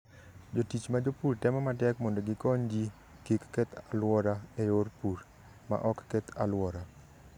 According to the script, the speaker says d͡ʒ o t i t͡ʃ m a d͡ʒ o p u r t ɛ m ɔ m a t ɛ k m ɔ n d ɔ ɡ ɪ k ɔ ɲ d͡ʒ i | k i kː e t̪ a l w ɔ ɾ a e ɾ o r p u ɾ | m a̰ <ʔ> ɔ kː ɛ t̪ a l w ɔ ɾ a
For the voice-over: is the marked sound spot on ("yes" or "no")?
yes